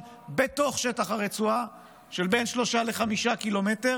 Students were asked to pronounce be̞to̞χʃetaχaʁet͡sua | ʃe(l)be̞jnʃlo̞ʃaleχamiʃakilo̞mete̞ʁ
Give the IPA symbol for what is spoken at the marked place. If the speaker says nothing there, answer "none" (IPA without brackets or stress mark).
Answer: l